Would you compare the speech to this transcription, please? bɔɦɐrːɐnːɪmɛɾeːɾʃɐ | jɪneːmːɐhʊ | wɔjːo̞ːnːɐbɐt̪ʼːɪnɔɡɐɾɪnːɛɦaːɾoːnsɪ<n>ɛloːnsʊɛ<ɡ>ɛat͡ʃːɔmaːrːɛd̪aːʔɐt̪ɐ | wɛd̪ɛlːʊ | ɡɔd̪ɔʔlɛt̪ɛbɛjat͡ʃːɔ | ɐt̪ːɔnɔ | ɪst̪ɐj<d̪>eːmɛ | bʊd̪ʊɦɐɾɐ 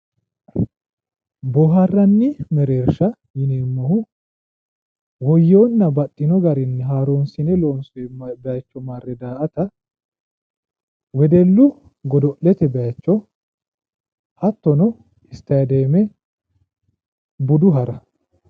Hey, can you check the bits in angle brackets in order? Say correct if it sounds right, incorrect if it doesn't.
correct, incorrect: b, correct

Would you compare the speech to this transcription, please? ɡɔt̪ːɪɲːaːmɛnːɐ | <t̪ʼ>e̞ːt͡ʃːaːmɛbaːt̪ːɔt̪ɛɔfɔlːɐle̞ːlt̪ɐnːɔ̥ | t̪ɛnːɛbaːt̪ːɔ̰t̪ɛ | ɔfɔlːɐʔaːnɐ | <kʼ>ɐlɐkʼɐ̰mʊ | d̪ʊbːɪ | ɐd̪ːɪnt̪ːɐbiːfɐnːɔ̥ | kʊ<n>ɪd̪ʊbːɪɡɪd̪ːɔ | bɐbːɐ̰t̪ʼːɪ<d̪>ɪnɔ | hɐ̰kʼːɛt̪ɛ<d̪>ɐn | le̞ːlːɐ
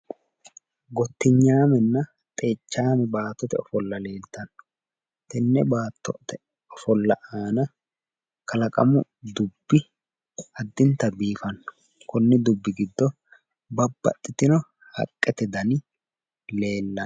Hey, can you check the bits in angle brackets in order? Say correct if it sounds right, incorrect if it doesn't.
correct, incorrect: k, incorrect: nː, incorrect: t̪, correct

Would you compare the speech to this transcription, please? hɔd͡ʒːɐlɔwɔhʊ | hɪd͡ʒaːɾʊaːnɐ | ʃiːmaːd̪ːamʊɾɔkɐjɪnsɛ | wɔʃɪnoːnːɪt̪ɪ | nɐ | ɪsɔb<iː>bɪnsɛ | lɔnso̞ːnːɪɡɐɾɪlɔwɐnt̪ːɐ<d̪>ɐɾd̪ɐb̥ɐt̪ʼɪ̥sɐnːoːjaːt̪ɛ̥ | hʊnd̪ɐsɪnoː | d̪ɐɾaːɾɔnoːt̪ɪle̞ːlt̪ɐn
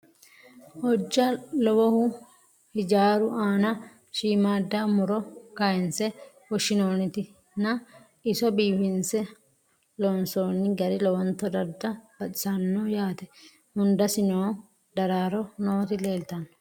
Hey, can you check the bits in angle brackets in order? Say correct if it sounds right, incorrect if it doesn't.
correct, correct

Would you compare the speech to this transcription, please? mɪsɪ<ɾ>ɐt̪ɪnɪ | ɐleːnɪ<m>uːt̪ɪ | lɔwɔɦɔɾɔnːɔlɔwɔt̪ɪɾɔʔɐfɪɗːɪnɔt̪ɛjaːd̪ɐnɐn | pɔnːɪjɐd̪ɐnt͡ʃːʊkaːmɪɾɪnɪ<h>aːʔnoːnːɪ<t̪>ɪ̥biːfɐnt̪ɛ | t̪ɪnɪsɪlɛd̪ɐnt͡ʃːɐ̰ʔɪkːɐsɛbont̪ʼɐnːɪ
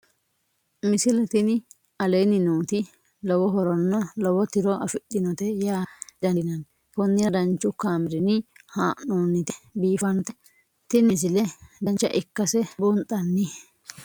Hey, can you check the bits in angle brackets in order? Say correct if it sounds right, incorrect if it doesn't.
incorrect: l, incorrect: n, correct, correct

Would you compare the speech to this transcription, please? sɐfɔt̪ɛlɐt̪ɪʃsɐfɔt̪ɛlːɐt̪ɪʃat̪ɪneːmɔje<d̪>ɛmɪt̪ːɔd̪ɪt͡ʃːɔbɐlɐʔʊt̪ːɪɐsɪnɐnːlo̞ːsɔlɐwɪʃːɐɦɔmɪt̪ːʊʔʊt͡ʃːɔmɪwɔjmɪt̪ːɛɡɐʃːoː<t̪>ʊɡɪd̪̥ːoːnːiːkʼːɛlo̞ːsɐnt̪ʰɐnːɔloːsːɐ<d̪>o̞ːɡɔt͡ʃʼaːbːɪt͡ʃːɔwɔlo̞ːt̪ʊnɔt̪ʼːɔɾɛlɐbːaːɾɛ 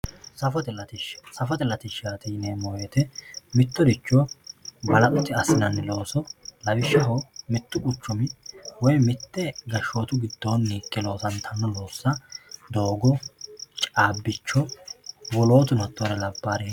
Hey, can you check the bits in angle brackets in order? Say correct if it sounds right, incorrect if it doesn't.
incorrect: t̪, correct, correct

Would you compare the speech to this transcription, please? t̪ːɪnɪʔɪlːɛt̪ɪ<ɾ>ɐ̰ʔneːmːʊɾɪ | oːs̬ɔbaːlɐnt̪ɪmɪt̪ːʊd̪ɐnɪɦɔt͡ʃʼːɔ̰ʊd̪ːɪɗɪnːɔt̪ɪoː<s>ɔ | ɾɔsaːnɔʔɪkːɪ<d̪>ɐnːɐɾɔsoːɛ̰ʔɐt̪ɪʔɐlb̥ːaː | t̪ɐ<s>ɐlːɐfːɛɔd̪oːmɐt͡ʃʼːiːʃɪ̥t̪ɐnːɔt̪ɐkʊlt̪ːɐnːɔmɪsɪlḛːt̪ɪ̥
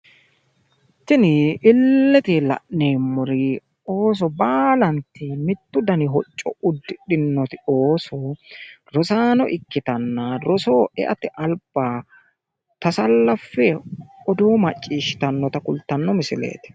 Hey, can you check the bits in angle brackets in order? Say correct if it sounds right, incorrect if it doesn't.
incorrect: l, correct, incorrect: t̪, correct

